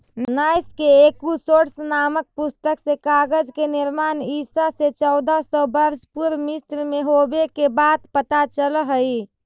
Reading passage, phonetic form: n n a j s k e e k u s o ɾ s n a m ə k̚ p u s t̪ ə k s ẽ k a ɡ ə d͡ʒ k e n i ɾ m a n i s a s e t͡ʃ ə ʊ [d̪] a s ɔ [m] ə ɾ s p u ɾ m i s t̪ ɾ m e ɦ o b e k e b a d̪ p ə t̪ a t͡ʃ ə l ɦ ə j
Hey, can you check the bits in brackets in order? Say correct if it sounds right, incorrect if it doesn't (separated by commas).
correct, incorrect